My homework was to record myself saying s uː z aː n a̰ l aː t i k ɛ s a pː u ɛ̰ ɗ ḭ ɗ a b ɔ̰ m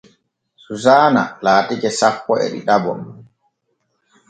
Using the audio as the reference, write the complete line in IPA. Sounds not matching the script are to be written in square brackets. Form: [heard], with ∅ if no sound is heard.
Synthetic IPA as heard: s [u] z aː n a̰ l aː t i k ɛ s a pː [ɔ] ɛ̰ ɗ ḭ ɗ a b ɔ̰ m